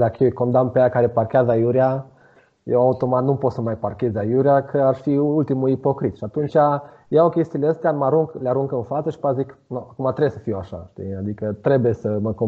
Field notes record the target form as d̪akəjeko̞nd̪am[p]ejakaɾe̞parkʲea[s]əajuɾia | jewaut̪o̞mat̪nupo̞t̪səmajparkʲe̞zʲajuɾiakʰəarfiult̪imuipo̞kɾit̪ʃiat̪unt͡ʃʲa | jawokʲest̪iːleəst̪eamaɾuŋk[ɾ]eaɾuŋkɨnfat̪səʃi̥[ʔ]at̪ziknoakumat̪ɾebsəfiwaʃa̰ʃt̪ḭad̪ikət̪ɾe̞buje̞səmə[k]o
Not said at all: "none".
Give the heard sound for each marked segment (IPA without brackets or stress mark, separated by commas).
p, z, l, p, k